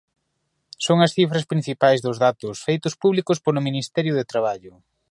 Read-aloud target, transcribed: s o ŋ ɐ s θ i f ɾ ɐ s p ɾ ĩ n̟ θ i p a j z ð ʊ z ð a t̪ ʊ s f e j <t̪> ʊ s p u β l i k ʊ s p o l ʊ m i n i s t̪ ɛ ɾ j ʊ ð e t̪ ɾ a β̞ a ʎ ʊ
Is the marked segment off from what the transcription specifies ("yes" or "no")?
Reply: no